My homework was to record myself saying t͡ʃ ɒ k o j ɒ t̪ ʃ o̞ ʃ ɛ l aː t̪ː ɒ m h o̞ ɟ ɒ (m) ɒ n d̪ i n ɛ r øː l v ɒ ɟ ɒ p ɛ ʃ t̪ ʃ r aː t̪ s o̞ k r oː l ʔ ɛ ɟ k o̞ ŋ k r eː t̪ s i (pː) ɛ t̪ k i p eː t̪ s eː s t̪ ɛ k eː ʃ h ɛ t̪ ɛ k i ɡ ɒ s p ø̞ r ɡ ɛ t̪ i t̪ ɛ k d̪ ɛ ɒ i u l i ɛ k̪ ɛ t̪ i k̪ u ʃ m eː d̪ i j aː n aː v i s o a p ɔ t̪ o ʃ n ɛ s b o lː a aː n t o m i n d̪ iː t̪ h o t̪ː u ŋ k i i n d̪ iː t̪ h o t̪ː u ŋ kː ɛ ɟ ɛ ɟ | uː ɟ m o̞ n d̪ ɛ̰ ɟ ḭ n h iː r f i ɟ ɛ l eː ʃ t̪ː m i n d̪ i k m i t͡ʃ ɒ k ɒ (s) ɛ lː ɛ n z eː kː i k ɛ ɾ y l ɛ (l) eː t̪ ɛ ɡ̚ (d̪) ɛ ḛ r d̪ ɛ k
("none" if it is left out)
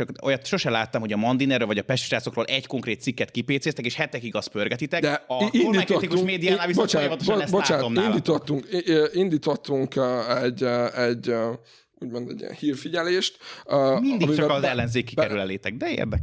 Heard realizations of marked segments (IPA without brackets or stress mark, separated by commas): m, kː, z, l, d̪